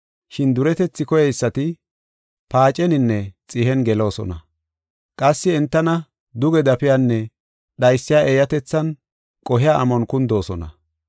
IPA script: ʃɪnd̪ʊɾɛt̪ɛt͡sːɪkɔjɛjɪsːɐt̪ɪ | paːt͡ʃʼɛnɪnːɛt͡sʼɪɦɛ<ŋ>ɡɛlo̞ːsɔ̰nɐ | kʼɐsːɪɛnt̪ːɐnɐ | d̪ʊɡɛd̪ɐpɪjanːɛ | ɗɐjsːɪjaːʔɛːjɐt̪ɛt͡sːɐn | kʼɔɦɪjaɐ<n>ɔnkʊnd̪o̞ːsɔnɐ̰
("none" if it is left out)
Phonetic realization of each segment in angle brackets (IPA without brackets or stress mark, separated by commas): n, m